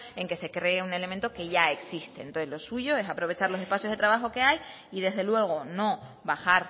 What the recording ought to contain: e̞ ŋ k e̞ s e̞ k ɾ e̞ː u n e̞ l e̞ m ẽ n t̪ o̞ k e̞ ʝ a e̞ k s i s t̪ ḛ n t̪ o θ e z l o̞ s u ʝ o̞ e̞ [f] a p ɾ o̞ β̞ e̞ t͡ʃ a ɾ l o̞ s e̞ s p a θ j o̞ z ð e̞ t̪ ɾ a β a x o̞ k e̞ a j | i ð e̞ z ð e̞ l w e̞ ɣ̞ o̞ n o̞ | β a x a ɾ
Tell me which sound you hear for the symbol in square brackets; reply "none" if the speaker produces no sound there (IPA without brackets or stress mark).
s